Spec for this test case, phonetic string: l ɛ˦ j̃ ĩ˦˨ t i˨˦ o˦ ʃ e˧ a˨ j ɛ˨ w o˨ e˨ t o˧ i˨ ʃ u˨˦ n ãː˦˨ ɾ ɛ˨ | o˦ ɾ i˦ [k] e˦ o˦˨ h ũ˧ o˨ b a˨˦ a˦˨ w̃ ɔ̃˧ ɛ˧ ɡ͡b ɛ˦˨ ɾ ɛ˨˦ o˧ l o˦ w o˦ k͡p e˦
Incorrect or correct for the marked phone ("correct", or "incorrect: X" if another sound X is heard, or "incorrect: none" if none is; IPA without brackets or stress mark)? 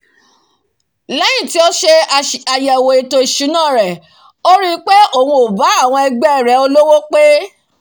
incorrect: k͡p